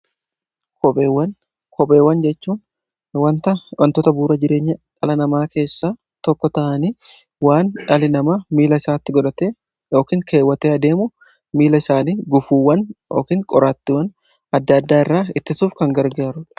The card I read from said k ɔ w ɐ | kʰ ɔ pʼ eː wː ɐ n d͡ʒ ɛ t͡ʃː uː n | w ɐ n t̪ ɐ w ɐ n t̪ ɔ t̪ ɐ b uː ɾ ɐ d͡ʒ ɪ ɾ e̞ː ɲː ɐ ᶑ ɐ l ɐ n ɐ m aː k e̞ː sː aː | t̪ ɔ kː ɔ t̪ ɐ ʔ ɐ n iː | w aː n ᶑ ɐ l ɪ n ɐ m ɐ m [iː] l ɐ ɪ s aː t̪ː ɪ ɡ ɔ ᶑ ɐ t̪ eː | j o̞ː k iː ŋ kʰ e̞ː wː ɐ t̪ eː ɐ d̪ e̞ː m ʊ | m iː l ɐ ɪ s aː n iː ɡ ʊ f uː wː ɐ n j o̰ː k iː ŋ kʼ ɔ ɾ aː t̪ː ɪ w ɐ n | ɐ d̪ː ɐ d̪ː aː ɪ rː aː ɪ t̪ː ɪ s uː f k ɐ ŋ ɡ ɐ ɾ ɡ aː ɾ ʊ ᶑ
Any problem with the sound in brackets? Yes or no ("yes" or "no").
no